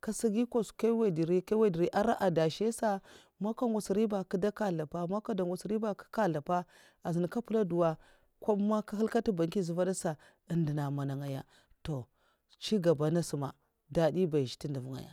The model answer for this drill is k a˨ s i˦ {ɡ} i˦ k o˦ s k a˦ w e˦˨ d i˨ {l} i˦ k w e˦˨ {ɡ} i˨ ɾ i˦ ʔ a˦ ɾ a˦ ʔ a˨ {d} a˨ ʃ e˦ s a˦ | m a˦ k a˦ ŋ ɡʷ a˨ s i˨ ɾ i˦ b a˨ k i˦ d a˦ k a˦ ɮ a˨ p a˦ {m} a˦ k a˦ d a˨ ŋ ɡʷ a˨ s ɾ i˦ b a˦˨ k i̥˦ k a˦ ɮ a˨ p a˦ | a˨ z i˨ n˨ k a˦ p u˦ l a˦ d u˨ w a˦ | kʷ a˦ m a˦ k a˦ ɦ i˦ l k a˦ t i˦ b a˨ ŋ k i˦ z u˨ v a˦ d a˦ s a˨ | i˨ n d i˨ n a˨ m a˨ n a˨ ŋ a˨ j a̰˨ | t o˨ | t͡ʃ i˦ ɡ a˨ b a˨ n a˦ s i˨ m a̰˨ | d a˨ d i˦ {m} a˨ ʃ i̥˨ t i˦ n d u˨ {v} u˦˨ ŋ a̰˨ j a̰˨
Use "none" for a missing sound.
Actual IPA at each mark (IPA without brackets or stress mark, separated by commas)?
ɡ, ɾ, d, d, m, b, v